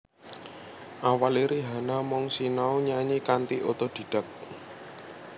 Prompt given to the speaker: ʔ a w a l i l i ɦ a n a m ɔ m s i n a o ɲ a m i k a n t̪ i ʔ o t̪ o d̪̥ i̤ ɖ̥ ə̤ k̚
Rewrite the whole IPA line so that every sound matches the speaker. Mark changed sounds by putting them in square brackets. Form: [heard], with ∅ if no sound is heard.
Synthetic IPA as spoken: ʔ a w a l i [ɾ] i ɦ a n a m ɔ [ŋ] s i n a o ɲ a [ɲ] i k a n t̪ i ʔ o t̪ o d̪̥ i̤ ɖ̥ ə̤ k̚